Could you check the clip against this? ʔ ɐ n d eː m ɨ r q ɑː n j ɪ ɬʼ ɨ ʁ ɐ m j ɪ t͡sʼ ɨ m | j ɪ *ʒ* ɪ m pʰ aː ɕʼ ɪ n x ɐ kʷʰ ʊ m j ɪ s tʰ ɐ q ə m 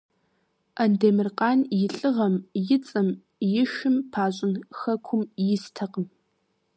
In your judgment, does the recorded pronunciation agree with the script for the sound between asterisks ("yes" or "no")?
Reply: no